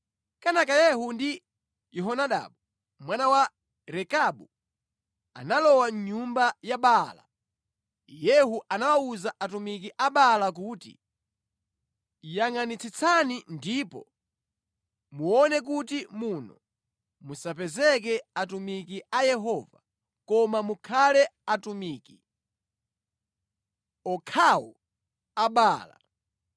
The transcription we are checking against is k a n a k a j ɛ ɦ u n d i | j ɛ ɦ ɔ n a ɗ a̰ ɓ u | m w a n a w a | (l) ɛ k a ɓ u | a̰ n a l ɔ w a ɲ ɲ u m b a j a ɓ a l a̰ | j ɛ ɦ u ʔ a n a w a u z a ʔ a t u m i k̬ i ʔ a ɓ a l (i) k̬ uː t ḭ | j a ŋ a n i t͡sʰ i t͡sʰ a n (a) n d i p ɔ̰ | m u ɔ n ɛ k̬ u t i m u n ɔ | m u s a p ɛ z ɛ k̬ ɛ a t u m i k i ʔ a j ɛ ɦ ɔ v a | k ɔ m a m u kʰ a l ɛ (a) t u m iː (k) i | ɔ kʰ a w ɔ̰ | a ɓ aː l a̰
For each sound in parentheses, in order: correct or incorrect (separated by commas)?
incorrect, incorrect, incorrect, correct, correct